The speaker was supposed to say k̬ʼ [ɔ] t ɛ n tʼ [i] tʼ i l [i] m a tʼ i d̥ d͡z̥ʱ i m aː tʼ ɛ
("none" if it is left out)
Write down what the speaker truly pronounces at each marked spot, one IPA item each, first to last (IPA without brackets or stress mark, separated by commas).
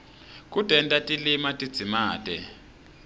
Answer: u, a, i